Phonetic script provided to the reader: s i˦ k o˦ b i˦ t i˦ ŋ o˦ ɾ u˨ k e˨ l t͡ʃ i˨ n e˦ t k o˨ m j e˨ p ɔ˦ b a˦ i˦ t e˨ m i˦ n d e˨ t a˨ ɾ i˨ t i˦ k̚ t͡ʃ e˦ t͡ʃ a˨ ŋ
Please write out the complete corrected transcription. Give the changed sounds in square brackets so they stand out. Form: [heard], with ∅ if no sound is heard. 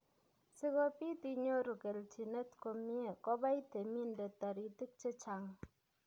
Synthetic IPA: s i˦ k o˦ [p] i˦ t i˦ [ɲ] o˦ ɾ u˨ k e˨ l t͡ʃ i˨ n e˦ t k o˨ m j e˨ [k] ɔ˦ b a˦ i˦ t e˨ m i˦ n d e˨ t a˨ ɾ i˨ t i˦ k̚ t͡ʃ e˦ t͡ʃ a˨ ŋ